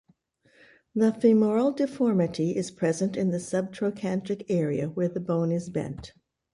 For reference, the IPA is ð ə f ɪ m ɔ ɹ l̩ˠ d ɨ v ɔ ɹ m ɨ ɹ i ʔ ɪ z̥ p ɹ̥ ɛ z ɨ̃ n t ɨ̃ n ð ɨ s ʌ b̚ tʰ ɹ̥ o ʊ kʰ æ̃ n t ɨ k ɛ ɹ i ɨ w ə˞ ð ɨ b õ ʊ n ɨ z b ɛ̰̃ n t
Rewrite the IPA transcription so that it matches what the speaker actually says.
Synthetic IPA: ð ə f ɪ m ɔ ɹ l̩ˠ d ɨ f ɔ ɹ m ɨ ɾ i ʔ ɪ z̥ pʰ ɹ̥ ɛ z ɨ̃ n t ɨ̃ n ð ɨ s ʌ b̚ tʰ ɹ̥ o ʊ kʰ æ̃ n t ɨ k ɛ ɹ i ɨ w ə˞ ð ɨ b õ ʊ̃ n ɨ z b ɛ̰̃ n t